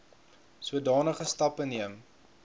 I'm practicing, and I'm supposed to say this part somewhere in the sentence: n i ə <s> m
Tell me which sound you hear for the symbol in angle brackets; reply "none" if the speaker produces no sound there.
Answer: none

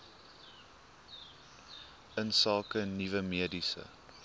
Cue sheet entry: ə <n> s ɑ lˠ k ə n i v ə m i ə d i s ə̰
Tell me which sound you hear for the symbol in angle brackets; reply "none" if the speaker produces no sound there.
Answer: n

